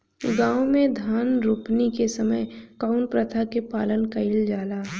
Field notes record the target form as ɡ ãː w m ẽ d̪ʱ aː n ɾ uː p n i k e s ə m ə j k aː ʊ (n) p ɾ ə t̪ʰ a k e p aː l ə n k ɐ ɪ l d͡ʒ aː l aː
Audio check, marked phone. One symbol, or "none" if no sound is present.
n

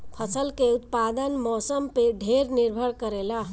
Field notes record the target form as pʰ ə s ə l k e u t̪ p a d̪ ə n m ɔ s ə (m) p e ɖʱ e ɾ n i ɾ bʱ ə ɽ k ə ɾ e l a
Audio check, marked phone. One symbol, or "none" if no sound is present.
m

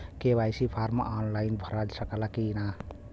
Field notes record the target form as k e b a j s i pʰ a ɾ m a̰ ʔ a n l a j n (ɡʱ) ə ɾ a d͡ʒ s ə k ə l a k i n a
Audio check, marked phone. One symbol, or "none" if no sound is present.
bʱ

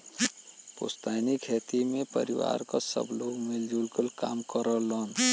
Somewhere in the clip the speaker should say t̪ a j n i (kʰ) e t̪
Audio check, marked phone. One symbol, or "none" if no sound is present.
kʰ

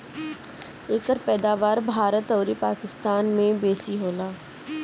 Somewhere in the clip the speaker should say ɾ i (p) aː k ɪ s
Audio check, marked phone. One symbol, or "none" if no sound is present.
p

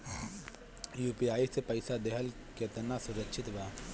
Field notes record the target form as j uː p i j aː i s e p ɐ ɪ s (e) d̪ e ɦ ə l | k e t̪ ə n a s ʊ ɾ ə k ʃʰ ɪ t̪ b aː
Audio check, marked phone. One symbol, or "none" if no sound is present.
a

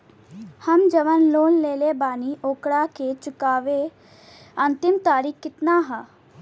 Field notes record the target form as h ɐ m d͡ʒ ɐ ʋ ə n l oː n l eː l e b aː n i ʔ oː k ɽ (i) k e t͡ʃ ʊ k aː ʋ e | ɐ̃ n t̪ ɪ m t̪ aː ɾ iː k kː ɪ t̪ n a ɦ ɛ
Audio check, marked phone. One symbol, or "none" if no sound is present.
a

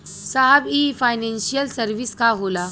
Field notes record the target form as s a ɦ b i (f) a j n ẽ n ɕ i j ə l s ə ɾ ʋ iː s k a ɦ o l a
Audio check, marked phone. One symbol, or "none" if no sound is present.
f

